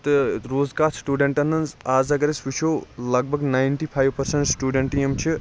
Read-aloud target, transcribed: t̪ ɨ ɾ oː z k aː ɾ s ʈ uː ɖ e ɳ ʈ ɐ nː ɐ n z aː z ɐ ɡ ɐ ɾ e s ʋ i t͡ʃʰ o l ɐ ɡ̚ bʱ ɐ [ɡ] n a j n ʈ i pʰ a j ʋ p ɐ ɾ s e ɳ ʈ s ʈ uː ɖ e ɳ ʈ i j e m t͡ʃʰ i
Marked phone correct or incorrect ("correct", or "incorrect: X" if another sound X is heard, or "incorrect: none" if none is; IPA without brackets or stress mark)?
correct